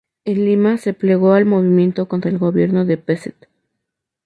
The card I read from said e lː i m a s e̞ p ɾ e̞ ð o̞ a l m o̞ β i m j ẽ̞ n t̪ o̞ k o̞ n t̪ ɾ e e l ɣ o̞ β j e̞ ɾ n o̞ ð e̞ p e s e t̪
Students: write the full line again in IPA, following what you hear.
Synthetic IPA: e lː i m a s e̞ p l e̞ ɣ o̞ a l m o̞ β i m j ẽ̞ n t̪ o̞ k o̞ n t̪ ɾ a e l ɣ o̞ β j e̞ ɾ n o̞ ð e̞ p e s e t̪